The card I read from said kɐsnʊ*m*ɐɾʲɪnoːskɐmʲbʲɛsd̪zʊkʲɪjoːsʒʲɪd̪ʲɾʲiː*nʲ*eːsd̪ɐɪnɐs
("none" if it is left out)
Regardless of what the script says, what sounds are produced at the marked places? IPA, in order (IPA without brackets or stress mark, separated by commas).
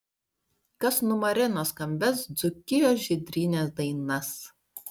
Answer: m, nʲ